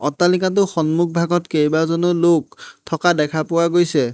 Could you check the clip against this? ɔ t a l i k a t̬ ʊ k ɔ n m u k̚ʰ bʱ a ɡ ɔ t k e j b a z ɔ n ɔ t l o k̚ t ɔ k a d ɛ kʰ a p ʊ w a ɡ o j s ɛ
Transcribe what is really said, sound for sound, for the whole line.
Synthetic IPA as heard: ɔ t a l i k a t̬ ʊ x ɔ n m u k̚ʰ bʱ a ɡ ɔ t k e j b a z ɔ n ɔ l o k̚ tʰ ɔ k a d ɛ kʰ a p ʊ w a ɡ o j s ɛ